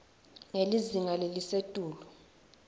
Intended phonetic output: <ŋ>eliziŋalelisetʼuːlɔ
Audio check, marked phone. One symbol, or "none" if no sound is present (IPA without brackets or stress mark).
ŋ